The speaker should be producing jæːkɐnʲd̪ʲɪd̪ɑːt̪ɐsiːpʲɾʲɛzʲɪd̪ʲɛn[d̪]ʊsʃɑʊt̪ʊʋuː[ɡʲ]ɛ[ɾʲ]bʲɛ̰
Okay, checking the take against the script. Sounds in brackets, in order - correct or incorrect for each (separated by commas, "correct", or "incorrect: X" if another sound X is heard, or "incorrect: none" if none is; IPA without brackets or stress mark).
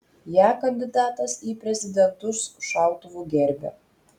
incorrect: t̪, correct, correct